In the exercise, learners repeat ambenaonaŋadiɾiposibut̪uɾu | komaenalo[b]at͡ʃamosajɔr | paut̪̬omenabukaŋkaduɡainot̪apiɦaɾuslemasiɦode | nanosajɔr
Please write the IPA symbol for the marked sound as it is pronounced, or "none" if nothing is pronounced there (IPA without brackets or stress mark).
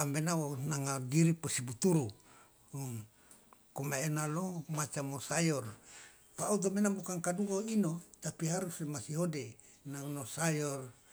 m